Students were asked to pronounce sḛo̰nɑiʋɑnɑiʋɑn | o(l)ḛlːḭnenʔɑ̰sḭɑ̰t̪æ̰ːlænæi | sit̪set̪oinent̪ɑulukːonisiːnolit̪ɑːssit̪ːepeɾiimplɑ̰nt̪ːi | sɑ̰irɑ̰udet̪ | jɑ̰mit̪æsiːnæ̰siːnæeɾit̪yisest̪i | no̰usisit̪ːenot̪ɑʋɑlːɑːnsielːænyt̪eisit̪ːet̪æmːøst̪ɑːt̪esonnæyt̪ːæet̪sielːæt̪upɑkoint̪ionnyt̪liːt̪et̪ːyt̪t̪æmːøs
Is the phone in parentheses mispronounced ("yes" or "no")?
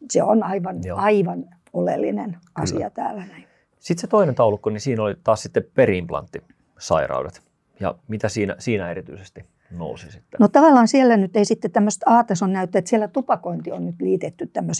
no